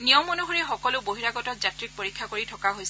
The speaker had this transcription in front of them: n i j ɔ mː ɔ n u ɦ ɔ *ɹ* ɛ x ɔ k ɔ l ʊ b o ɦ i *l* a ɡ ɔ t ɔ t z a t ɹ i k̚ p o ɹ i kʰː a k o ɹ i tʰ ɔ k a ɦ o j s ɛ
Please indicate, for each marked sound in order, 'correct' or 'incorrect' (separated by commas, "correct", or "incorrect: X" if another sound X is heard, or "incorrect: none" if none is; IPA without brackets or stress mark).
correct, incorrect: ɹ